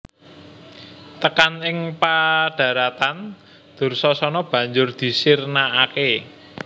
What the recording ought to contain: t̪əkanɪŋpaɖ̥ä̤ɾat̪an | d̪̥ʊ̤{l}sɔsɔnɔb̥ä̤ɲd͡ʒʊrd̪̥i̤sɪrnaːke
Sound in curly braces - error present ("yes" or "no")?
yes